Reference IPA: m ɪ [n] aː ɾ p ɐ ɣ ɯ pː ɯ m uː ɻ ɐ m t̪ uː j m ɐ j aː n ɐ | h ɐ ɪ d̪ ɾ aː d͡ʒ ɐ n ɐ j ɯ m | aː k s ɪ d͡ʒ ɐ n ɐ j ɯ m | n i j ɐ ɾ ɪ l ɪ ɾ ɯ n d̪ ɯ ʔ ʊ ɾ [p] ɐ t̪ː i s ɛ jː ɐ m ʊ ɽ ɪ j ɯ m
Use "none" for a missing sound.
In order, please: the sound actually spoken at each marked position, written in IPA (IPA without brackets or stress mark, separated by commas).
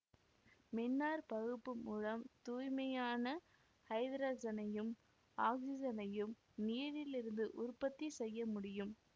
nː, p